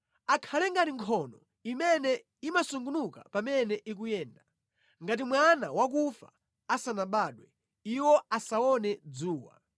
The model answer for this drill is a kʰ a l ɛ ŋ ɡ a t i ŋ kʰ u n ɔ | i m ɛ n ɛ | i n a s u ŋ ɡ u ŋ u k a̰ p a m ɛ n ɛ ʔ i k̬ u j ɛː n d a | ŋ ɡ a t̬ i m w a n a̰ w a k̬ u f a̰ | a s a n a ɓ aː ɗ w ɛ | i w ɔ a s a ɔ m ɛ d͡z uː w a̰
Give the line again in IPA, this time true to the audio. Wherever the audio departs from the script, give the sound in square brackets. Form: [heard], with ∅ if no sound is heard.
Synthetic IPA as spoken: a kʰ a l ɛ ŋ ɡ a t i ŋ kʰ [ɔ] n ɔ | i m ɛ n ɛ | i [m] a s u ŋ ɡ u [n] u k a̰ p a m ɛ n ɛ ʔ i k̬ u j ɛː n d a | ŋ ɡ a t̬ i m w a n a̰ w a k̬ u f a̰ | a s a n a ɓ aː ɗ w ɛ | i w ɔ a s a ɔ [n] ɛ d͡z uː w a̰

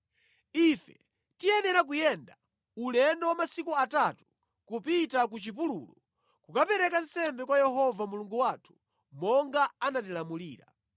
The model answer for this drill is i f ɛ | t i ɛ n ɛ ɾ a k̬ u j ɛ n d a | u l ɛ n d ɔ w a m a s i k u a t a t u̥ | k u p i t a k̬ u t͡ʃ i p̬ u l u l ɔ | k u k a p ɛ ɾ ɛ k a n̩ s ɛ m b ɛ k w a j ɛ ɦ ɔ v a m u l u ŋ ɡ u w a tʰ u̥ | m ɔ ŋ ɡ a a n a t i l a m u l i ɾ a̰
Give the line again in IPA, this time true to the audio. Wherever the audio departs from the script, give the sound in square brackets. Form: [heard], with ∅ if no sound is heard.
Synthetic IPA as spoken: i f ɛ | t i ɛ n ɛ ɾ a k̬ u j ɛ n d a | u l ɛ n d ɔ w a m a s i k u a t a t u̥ | k u p i t a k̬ u t͡ʃ i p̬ u l u l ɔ | k u k a p ɛ ɾ ɛ k a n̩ s ɛ m b ɛ k w a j ɛ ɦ ɔ v a m u l u ŋ ɡ u w a tʰ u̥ | m ɔ ŋ ɡ a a n a t i l a m u l [iː] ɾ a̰

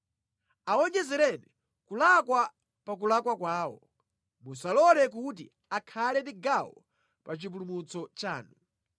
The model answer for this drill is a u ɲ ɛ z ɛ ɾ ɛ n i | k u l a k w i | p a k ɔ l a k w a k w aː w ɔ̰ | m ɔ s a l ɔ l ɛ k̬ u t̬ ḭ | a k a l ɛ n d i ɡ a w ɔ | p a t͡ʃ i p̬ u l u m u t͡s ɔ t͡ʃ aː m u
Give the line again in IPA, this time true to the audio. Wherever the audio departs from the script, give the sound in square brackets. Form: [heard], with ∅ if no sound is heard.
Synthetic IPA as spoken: a [ɔ] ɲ ɛ z ɛ ɾ ɛ n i | k u l a k w [a] | p a k [u] l a k w a k w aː w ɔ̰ | m [u] s a l ɔ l ɛ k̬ u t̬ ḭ | a [kʰ] a l ɛ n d i ɡ a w ɔ | p a t͡ʃ i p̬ u l u m u t͡s ɔ t͡ʃ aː [n] u

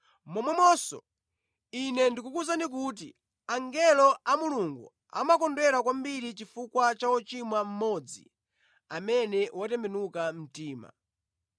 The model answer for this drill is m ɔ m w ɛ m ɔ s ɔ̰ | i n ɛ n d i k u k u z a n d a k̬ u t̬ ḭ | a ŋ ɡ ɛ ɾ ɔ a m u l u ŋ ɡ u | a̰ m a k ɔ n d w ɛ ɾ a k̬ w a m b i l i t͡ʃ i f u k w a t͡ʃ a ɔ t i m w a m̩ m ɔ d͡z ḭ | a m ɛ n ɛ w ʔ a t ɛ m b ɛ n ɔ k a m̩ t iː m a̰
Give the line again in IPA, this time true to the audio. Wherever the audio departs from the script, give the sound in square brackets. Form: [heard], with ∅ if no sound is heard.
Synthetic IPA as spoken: m ɔ m w ɛ m ɔ s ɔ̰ | i n ɛ n d i k u k u z a n d [i] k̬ u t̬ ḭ | a ŋ ɡ ɛ [l] ɔ a m u l u ŋ ɡ u | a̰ m a k ɔ n d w ɛ ɾ a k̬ w a m b i [ɾ] i t͡ʃ i f u k w a t͡ʃ a ɔ [t͡ʃ] i m w a m̩ m ɔ d͡z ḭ | a m ɛ n ɛ w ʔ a t ɛ m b ɛ n [u] k a m̩ t iː m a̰

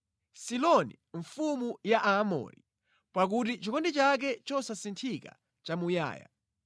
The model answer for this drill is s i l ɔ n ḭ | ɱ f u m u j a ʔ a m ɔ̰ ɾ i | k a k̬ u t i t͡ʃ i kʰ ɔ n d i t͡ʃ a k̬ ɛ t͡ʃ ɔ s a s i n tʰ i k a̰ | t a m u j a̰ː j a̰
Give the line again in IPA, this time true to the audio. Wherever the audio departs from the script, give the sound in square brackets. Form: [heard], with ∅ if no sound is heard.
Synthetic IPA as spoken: s i l ɔ n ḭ | ɱ f u m u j a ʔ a m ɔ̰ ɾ i | [p] a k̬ u t i t͡ʃ i [k] ɔ n d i t͡ʃ a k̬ ɛ t͡ʃ ɔ s a s i n tʰ i k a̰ | [t͡ʃ] a m u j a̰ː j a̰

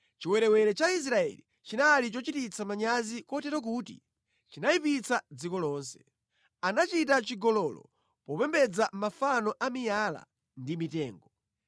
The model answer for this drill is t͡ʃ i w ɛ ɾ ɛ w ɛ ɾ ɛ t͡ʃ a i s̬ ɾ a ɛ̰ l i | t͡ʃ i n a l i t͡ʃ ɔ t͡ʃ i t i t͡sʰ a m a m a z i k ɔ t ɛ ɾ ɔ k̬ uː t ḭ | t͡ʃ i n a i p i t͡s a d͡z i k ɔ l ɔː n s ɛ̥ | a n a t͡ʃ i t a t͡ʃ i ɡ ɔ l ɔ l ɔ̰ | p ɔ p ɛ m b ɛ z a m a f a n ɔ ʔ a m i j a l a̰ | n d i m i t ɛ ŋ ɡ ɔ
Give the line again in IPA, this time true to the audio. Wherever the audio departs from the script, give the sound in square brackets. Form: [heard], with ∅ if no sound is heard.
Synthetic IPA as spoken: t͡ʃ i w ɛ ɾ ɛ w ɛ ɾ ɛ t͡ʃ a i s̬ ɾ a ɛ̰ l i | t͡ʃ i n a l i t͡ʃ ɔ t͡ʃ i t i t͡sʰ a m a [ɲ] a z i k ɔ t ɛ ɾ ɔ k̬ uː t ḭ | t͡ʃ i n a i p i t͡s a d͡z i k ɔ l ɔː n s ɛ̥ | a n a t͡ʃ i t a t͡ʃ i ɡ ɔ l ɔ l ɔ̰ | p ɔ p ɛ m b ɛ [d͡z] a m a f a n ɔ ʔ a m i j a l a̰ | n d i m i t [ɛː] ŋ ɡ ɔ

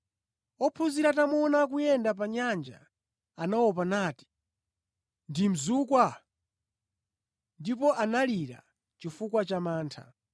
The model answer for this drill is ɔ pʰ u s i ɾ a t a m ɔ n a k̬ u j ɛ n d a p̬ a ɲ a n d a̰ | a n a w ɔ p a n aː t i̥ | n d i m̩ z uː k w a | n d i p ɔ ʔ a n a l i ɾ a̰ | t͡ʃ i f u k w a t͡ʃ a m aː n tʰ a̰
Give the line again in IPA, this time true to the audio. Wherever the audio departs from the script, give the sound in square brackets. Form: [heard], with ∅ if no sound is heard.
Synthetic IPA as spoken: ɔ pʰ u [z] i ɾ a t a m ɔ n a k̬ u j ɛ n d a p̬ a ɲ a n [d͡ʒ] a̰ | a n a w ɔ p a n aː t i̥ | n d i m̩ z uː k w a | n d i p ɔ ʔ a n a l i ɾ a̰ | t͡ʃ i f u k w a t͡ʃ a m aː n tʰ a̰

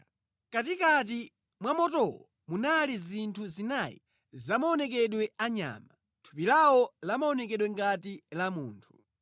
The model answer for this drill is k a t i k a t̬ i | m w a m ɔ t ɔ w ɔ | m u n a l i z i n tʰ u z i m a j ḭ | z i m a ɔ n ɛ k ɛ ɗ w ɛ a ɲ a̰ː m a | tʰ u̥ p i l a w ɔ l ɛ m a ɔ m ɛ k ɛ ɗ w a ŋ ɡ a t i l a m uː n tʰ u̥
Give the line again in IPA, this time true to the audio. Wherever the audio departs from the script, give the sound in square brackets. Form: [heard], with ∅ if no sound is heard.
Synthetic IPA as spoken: k a t i k a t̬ i | m w a m ɔ t ɔ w ɔ | m u n a l i z i n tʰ u z i [n] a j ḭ | z [a] m a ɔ n ɛ k ɛ ɗ w ɛ a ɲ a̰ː m a | tʰ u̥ p i l a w ɔ l [a] m a ɔ [n] ɛ k ɛ ɗ w [ɛ] ŋ ɡ a t i l a m uː n tʰ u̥

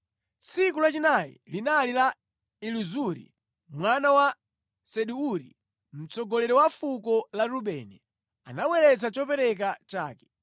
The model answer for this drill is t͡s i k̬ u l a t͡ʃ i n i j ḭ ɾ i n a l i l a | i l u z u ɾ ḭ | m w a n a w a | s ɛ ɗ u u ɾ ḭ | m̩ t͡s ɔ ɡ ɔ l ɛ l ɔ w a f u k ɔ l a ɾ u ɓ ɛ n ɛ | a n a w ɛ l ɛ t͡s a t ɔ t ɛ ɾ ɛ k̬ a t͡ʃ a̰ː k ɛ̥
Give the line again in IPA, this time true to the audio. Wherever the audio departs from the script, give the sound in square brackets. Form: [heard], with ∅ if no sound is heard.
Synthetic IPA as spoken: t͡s i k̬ u l a t͡ʃ i n [a] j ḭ [l] i n a l i l a | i l u z u ɾ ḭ | m w a n a w a | s ɛ ɗ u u ɾ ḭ | m̩ t͡s ɔ ɡ ɔ l ɛ [ɾ] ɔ w a f u k ɔ l a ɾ u ɓ ɛ n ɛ | a n a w ɛ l ɛ t͡s a [t͡ʃ] ɔ [p] ɛ ɾ ɛ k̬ a t͡ʃ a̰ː k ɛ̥

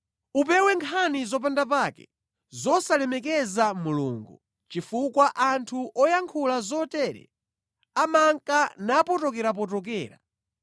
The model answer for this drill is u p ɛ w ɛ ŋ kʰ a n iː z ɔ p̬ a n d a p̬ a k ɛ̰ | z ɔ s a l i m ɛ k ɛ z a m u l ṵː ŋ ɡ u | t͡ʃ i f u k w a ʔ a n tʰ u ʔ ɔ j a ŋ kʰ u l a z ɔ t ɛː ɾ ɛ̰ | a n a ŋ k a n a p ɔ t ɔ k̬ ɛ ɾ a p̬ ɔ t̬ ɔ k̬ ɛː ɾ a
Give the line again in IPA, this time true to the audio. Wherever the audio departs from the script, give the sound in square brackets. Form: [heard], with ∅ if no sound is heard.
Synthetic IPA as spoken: u p ɛ w ɛ ŋ kʰ a n [i] z ɔ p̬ a n d a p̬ a k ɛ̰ | z ɔ s a l [ɛ] m ɛ k ɛ z a m u l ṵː ŋ ɡ u | t͡ʃ i f u k w a ʔ a n tʰ u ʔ ɔ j a ŋ kʰ u l a z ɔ t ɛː ɾ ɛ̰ | a [m] a ŋ k a n a p ɔ t ɔ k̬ ɛ ɾ a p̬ ɔ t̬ ɔ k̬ ɛː ɾ a

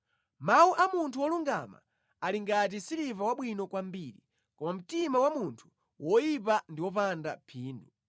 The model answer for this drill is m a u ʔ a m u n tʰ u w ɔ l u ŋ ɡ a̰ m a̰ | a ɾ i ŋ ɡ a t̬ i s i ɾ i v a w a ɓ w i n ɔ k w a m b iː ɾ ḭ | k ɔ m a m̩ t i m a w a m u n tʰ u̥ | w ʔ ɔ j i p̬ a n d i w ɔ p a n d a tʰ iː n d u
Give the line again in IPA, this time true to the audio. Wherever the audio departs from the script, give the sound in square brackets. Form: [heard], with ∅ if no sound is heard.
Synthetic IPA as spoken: m a u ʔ a m u n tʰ u w ɔ l u ŋ ɡ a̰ m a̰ | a [l] i ŋ ɡ a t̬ i s i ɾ i v a w a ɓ w i n ɔ k w a m b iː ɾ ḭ | k ɔ m a m̩ t i m a w a m u n tʰ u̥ | w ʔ ɔ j i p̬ a n d i w ɔ p a n d a [pʰ] iː n d u

